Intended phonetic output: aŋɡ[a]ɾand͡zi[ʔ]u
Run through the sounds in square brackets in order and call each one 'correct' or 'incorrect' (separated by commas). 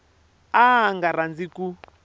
correct, incorrect